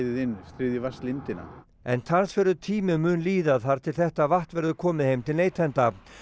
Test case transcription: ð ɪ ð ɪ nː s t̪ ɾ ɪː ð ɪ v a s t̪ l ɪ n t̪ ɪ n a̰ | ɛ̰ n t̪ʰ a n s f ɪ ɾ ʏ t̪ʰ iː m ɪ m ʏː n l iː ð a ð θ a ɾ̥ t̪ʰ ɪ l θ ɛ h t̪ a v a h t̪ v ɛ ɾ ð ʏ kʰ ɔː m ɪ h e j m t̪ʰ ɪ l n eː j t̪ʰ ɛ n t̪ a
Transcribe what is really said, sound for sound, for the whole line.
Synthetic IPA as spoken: ð ɪ ð ɪ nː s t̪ ɾ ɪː ð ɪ v a s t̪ l ɪ n t̪ ɪ n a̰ | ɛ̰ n t̪ʰ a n s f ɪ ɾ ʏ t̪ʰ iː m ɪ m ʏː n l iː ð a ð θ a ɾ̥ t̪ʰ ɪ l θ ɛ h t̪ a v a h t̪ v ɛ ɾ ð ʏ kʰ ɔː m ɪ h e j m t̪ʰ ɪ l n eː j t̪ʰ ɛ n t̪ a